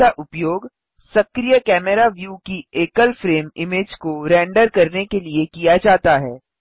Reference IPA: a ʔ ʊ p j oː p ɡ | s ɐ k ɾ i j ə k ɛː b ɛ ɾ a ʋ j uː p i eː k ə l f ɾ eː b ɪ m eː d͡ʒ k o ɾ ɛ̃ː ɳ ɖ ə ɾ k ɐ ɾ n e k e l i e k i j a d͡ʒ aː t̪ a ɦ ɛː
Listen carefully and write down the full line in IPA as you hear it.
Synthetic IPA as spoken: a ʔ ʊ p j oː ɡ | s ɐ k ɾ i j ə k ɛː m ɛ ɾ a ʋ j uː k i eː k ə l f ɾ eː m ɪ m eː d͡ʒ k o ɾ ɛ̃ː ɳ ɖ ə ɾ k ɐ ɾ n e k e l i e k i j a d͡ʒ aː t̪ a ɦ ɛː